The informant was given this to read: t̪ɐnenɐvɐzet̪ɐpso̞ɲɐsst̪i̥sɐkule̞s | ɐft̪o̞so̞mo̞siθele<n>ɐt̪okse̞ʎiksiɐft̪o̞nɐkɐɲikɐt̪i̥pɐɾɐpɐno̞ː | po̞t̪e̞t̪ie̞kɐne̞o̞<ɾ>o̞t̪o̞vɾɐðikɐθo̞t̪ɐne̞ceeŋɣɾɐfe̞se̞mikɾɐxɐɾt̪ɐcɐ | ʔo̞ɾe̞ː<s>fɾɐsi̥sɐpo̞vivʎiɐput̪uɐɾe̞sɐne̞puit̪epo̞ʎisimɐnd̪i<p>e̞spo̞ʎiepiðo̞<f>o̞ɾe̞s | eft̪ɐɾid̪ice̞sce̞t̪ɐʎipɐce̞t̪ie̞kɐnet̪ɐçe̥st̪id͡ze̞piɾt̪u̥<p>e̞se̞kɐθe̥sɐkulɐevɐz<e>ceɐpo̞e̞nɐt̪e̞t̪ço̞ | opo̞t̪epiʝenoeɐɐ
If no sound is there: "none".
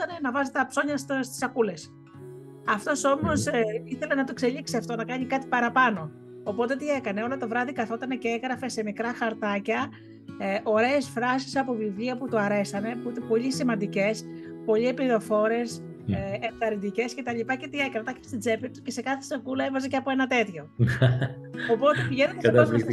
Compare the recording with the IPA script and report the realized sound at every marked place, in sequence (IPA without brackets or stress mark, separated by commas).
n, l, s, c, f, c, e